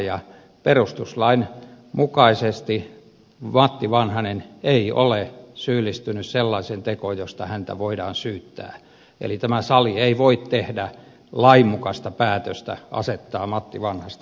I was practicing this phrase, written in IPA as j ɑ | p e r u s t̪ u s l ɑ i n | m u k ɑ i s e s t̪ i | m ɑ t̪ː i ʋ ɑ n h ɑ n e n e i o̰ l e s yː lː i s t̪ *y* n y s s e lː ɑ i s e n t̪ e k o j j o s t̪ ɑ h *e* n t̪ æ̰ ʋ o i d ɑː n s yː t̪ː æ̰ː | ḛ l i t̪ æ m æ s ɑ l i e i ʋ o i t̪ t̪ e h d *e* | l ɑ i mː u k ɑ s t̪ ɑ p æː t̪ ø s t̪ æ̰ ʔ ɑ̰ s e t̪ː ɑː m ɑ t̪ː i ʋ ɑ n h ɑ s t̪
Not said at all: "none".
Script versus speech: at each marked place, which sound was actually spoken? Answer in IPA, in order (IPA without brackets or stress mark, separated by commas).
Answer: y, æ, æ